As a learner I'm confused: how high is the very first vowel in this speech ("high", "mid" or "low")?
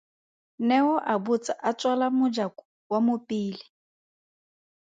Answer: mid